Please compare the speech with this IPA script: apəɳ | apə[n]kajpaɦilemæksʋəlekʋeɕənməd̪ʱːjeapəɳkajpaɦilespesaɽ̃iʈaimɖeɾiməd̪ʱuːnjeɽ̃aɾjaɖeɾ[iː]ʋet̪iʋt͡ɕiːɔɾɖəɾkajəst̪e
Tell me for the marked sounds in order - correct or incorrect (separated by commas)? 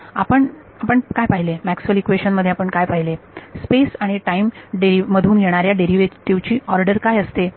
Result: incorrect, incorrect